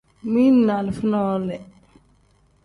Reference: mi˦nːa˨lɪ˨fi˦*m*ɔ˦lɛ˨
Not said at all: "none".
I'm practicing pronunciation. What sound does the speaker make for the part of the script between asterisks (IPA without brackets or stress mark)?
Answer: n